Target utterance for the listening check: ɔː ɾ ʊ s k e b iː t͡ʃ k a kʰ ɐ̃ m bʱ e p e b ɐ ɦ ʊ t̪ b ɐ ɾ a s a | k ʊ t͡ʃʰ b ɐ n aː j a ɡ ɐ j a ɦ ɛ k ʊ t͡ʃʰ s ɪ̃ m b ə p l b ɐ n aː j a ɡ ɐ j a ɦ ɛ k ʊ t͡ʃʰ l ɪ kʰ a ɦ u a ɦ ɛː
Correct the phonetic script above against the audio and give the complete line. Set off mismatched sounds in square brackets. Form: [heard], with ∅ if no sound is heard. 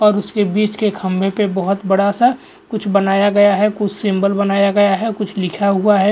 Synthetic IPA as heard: ɔː ɾ ʊ s k e b iː t͡ʃ k [e] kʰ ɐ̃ m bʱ e p e b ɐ ɦ ʊ t̪ b ɐ [ɽ] a s a | k ʊ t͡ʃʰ b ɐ n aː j a ɡ ɐ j a ɦ ɛ k ʊ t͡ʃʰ s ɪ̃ m b ə [∅] l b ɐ n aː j a ɡ ɐ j a ɦ ɛ k ʊ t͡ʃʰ l ɪ kʰ a ɦ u a ɦ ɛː